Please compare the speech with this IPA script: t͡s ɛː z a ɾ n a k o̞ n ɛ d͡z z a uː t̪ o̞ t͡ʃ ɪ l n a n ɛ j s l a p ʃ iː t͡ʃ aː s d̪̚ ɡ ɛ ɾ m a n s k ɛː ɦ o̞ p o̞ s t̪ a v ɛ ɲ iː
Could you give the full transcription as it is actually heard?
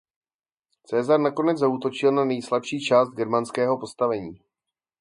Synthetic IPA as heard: t͡s ɛː z a ɾ n a k o̞ n ɛ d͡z z a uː t̪ o̞ t͡ʃ ɪ l n a n ɛ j s l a p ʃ iː t͡ʃ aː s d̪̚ ɡ ɛ ɾ m a n s k ɛː ɦ o̞ p o̞ s t̪ a v ɛ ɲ iː